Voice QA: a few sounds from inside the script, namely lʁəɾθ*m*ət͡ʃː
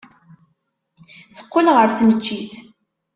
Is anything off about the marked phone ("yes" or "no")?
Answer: yes